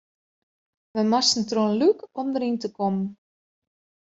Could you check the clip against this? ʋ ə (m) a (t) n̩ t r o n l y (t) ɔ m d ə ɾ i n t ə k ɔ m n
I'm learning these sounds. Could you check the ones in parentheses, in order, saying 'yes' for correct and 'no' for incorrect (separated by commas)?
yes, no, no